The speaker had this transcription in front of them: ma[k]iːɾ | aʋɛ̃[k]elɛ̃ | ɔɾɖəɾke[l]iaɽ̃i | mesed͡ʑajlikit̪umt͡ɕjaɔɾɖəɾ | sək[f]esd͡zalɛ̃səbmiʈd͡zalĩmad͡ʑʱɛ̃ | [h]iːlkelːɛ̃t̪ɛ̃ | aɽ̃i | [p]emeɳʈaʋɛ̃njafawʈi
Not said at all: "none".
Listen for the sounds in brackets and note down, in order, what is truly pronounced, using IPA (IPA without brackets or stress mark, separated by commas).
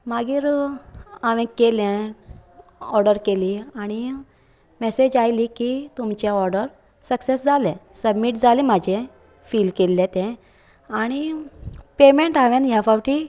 ɡ, k, l, s, f, p